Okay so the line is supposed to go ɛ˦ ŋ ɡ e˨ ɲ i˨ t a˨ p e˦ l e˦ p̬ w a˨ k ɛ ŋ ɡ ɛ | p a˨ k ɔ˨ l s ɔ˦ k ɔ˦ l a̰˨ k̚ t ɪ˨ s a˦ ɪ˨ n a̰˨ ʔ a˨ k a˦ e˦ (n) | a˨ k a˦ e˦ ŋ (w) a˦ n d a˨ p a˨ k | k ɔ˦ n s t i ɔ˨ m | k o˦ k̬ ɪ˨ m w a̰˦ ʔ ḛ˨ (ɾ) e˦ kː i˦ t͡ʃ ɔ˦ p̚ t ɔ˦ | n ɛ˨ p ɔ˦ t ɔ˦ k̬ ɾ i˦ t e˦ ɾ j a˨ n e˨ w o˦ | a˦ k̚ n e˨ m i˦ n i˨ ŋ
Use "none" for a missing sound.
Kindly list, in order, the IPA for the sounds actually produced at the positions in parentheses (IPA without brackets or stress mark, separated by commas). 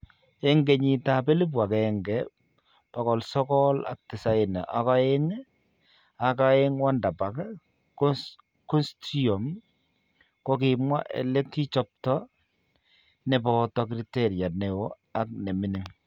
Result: ŋ, w, l